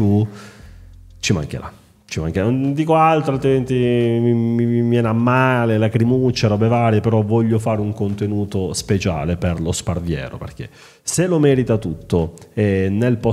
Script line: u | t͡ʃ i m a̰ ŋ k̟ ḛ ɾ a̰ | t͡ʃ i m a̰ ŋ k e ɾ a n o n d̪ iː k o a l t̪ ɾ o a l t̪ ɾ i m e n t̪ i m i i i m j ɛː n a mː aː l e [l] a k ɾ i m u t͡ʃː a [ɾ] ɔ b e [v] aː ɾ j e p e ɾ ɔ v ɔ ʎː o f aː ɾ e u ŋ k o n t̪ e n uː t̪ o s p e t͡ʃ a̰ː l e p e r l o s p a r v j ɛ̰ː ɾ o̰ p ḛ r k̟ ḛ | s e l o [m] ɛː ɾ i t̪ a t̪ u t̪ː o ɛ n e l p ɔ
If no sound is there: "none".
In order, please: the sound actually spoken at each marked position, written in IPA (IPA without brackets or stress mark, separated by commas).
l, ɾ, v, m